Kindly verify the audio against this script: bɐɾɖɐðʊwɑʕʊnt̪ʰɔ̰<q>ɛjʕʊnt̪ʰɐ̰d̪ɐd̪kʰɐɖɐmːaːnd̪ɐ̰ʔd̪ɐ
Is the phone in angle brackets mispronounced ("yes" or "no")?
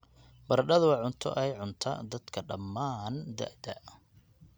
yes